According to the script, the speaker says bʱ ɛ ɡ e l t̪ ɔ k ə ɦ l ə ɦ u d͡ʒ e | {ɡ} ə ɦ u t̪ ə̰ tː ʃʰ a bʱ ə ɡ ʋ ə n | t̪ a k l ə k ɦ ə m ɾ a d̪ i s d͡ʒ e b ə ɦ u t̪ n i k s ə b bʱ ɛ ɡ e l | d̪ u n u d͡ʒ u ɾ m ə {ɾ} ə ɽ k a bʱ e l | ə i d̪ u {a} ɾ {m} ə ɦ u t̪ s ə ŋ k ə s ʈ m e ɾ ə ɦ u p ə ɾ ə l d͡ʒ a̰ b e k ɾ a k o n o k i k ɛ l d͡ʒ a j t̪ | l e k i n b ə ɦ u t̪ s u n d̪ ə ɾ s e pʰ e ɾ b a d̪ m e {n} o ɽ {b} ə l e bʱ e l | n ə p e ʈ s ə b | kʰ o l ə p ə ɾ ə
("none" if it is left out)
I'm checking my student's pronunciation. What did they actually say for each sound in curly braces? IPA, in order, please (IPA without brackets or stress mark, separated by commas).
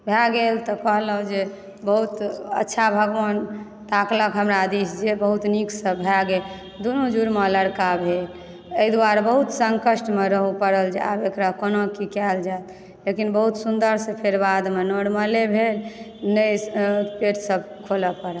b, l, a, b, n, m